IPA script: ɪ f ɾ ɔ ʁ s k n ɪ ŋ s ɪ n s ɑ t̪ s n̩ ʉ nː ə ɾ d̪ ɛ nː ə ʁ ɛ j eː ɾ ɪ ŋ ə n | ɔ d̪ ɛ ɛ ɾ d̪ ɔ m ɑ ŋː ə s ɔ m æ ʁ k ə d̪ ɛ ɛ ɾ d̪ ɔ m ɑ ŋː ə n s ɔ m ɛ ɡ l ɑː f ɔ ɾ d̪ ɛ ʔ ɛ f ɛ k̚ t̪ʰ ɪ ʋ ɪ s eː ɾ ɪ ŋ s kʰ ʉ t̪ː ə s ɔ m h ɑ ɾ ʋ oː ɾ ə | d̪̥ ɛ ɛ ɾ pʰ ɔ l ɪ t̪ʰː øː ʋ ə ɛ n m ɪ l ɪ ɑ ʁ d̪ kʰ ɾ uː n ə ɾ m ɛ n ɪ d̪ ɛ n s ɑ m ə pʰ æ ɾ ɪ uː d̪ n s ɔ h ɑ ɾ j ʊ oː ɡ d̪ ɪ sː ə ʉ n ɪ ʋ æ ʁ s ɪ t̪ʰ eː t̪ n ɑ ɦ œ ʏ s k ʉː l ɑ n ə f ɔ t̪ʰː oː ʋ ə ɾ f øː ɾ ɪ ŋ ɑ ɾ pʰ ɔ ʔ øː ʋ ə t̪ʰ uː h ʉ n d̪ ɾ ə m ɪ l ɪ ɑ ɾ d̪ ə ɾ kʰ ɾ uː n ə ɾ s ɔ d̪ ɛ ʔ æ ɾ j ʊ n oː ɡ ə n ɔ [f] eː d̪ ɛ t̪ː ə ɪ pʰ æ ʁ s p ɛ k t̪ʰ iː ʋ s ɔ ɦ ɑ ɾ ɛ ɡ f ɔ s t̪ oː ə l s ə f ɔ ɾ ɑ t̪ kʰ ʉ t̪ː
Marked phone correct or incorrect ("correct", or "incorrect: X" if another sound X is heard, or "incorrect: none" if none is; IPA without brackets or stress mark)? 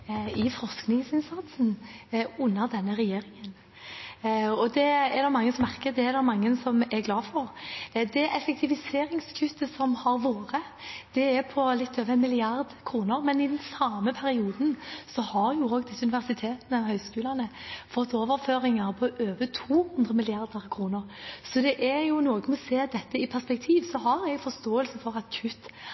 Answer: incorrect: s